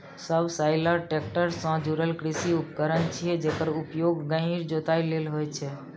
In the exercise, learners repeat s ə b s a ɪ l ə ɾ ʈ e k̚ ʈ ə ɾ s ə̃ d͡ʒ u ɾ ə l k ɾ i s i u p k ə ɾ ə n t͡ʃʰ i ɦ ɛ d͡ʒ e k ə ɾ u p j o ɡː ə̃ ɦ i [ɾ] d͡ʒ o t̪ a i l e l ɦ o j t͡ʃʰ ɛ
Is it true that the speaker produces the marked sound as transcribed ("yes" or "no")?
yes